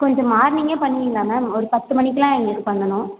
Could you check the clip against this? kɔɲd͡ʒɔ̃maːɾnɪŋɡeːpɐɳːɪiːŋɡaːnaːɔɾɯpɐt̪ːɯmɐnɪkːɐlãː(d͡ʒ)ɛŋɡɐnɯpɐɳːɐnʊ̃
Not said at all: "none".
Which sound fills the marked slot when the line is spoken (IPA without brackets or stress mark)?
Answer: none